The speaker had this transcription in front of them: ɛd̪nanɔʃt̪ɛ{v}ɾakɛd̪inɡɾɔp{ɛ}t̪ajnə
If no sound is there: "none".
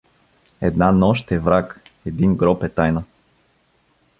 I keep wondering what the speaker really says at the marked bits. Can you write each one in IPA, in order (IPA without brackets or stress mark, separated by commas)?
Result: v, ɛ